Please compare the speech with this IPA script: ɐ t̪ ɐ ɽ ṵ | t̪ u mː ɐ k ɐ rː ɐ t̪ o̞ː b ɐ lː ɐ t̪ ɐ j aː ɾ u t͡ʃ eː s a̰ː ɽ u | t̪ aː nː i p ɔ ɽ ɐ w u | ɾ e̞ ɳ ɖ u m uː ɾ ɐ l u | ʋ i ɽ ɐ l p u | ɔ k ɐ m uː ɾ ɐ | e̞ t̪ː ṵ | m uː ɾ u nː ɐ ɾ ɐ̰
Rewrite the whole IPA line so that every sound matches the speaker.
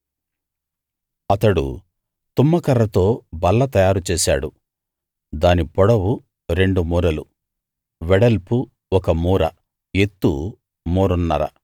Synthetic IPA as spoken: ɐ t̪ ɐ ɽ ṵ | t̪ u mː ɐ k ɐ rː ɐ t̪ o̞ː b ɐ lː ɐ t̪ ɐ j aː ɾ u t͡ʃ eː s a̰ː ɽ u | d̪ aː n i p ɔ ɽ ɐ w u | ɾ e̞ ɳ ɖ u m uː ɾ ɐ l u | ʋ ɛ ɽ ɐ l p u | ɔ k ɐ m uː ɾ ɐ | e̞ t̪ː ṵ | m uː ɾ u nː ɐ ɾ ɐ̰